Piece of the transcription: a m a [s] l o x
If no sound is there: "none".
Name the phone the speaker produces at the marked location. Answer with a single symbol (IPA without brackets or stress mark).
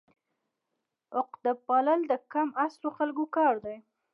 s